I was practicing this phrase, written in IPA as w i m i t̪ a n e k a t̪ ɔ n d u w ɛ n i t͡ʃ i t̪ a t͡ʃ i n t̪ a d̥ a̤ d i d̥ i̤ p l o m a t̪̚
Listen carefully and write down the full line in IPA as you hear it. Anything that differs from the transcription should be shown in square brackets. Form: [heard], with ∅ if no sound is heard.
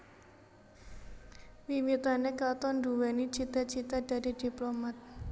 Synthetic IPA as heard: w i m i t̪ a n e k a t̪ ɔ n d u w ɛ n i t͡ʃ i t̪ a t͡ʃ i [∅] t̪ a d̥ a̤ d i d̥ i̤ p l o m a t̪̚